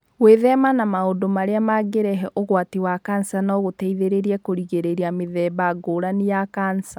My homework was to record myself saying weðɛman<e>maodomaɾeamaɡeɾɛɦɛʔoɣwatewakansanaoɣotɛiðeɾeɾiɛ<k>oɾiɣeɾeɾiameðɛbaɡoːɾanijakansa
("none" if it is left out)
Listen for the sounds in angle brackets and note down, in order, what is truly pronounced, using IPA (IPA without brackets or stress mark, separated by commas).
a, k